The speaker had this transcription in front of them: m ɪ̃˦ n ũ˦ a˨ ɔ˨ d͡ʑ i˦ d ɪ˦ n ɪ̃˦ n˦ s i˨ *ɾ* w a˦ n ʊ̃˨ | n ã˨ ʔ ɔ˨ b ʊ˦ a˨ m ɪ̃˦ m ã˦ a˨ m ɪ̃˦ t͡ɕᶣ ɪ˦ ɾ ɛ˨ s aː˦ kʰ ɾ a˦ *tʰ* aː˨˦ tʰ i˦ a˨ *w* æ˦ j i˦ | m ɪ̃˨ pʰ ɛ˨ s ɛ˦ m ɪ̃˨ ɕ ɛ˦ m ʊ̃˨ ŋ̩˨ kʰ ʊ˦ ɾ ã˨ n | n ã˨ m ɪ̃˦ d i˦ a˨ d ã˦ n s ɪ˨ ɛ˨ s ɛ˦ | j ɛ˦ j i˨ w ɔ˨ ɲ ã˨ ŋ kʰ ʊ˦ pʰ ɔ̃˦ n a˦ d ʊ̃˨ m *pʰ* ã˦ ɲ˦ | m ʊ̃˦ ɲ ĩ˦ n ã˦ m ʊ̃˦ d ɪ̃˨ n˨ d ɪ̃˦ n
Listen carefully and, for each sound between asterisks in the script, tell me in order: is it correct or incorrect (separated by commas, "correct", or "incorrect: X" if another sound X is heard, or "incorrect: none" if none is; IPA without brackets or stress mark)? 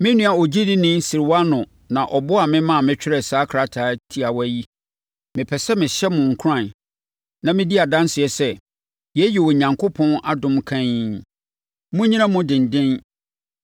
correct, correct, correct, incorrect: kʰ